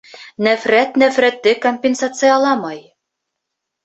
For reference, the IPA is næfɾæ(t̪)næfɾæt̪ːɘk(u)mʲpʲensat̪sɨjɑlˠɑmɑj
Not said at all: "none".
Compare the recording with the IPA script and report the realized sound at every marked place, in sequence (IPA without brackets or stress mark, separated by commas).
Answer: t̪, o